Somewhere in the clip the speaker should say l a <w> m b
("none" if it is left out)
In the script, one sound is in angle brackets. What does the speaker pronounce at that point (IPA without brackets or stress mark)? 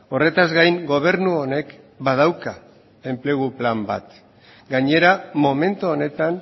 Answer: none